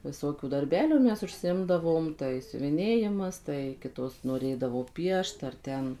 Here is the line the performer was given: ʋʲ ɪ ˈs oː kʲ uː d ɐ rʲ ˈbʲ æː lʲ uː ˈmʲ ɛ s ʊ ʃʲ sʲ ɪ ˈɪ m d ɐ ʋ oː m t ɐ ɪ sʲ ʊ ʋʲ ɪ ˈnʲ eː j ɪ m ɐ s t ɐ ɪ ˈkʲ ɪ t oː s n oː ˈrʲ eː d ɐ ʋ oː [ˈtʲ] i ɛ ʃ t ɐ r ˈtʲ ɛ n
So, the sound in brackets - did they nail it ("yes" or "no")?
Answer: no